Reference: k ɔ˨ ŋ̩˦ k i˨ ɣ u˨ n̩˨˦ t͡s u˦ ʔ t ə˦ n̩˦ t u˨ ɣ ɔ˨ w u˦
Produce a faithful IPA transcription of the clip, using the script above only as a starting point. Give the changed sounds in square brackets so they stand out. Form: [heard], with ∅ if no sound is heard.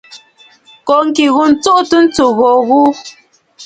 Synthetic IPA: k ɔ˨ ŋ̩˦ k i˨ ɣ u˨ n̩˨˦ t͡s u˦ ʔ t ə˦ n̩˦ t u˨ ɣ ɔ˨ [ɣ] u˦